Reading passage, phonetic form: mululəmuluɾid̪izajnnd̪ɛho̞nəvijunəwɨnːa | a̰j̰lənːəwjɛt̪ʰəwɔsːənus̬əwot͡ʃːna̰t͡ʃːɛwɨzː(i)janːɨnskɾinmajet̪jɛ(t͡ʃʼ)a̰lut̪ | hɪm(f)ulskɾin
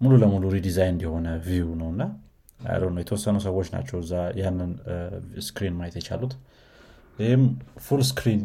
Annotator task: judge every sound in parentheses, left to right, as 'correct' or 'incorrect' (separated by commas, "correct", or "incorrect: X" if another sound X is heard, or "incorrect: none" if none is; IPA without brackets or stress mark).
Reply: incorrect: a, incorrect: t͡ʃ, correct